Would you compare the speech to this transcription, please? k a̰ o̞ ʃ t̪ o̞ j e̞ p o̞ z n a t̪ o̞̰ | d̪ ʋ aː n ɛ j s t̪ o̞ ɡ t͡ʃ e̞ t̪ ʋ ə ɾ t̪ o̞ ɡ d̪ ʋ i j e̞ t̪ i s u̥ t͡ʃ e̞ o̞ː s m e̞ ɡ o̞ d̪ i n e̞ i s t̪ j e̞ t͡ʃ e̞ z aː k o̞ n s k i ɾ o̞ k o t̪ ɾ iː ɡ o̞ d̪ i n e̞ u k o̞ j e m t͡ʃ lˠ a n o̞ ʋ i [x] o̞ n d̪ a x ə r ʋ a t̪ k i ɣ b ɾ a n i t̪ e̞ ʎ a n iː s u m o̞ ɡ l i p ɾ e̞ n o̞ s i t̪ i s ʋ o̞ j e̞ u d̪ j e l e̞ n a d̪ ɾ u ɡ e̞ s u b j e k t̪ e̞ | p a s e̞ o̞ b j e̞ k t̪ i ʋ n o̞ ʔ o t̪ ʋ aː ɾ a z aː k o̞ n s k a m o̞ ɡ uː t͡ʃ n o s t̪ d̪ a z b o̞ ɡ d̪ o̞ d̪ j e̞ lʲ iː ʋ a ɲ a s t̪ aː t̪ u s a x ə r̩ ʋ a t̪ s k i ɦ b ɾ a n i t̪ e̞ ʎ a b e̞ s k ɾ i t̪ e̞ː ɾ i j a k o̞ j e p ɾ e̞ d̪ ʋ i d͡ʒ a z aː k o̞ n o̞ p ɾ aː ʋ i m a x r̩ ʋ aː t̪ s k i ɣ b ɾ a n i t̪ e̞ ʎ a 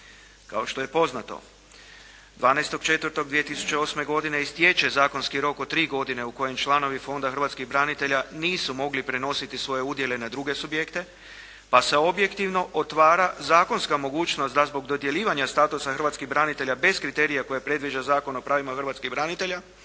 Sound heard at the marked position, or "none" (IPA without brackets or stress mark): f